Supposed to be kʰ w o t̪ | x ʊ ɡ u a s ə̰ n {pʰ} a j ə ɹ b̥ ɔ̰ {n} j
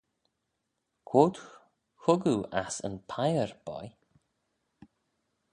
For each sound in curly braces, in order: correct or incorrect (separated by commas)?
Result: correct, incorrect